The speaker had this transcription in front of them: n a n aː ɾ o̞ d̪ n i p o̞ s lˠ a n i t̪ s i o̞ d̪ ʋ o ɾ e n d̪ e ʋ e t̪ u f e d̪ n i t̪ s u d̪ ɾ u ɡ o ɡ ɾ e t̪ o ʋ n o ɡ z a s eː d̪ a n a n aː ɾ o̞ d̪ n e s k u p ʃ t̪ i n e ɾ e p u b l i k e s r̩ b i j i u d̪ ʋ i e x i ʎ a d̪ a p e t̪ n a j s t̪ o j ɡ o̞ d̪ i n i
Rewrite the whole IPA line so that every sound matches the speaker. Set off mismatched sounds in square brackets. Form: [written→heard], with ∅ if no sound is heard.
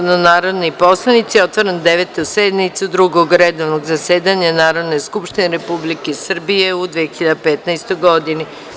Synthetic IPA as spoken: n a n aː ɾ o̞ d̪ n i p o̞ s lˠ a n i t̪ s i o̞ [d̪→t̪] ʋ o ɾ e n d̪ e ʋ e t̪ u [f→s] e d̪ n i t̪ s u d̪ ɾ u ɡ o ɡ ɾ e [t̪→d̪] o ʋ n o ɡ z a s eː d̪ a [n→ɲ] a n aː ɾ o̞ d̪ n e s k u p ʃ t̪ i n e ɾ e p u b l i k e s r̩ b i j [i→e] u d̪ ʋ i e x i ʎ a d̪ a p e t̪ n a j s t̪ o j ɡ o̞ d̪ i n i